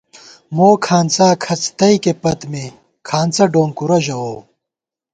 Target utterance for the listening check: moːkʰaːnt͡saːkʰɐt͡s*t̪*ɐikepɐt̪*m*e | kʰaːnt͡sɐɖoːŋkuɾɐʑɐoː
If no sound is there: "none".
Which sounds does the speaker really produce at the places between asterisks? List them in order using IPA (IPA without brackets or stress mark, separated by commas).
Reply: t̪, m